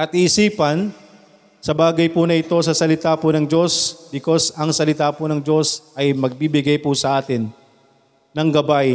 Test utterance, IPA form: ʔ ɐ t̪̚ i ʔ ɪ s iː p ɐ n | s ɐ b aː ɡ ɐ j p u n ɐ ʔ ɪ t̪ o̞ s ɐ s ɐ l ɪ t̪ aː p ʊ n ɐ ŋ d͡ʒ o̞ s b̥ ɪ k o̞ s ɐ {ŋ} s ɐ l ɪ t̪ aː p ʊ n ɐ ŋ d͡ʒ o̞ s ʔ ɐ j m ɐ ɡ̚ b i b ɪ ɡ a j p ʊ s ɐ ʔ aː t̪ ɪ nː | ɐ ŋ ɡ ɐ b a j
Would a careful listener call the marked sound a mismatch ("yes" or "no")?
no